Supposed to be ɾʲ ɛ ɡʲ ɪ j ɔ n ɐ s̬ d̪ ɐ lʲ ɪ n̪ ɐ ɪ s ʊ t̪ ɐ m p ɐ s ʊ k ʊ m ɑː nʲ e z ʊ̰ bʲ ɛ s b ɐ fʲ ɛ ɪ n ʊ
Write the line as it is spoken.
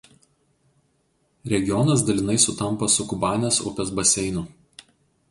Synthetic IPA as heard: ɾʲ ɛ ɡʲ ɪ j ɔ n ɐ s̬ d̪ ɐ lʲ ɪ n̪ ɐ ɪ s ʊ t̪ ɐ m p ɐ s ʊ k ʊ b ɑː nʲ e s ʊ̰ pʲ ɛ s b ɐ sʲ ɛ ɪ n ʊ